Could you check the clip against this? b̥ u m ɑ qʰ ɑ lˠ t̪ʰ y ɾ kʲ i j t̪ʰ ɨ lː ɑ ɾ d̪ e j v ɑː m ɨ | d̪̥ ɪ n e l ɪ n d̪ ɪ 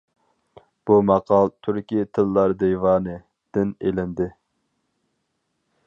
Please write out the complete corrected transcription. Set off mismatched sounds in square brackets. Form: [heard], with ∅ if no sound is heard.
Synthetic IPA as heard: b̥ u m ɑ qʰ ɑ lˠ t̪ʰ y ɾ kʲ i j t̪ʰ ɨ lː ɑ ɾ d̪ e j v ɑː [n] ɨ | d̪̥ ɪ n e l ɪ n d̪ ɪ